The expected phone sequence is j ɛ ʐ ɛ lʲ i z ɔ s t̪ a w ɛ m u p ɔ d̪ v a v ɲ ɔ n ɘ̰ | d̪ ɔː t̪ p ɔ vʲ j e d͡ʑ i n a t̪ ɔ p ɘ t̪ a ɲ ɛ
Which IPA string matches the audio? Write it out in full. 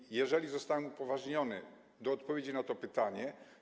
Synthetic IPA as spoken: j ɛ ʐ ɛ lʲ i z ɔ s t̪ a w ɛ m u p ɔ v a ʐ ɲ ɔ n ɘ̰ | d̪ ɔː t̪ p ɔ vʲ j e d͡ʑ i n a t̪ ɔ p ɘ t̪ a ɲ ɛ